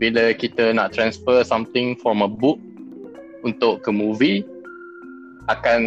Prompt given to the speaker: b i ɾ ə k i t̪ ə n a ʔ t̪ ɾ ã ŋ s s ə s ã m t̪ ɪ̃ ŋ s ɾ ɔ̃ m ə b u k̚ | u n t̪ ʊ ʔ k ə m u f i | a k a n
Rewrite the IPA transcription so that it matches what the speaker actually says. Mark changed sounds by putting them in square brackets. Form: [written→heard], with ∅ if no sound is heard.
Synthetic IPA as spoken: b i [ɾ→l] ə k i t̪ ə n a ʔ t̪ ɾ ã [ŋ→n] s [s→f] ə s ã m t̪ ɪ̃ ŋ [s→f] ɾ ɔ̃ m ə b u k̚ | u n t̪ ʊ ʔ k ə m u [f→v] i | a k a n